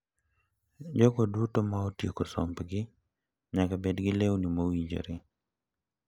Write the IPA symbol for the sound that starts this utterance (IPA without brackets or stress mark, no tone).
d͡ʒ